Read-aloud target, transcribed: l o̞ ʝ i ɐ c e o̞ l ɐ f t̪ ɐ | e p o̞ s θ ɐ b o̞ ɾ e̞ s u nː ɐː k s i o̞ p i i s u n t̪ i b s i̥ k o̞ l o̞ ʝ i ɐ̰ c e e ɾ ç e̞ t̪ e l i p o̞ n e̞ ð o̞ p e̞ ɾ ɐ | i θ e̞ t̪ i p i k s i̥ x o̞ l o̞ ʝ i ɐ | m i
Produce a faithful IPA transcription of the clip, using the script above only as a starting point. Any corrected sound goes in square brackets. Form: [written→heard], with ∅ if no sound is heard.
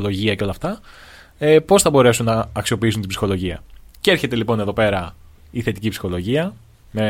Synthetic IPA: l o̞ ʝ i ɐ c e o̞ l ɐ f t̪ ɐ | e p o̞ s θ ɐ b o̞ ɾ e̞ s u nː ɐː k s i o̞ p i i s u n t̪ i b s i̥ [k→x] o̞ l o̞ ʝ i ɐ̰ c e e ɾ ç e̞ t̪ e l i p o̞ n e̞ ð o̞ p e̞ ɾ ɐ | i θ e̞ t̪ i [p→c] i [k→p] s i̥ x o̞ l o̞ ʝ i ɐ | m [i→e]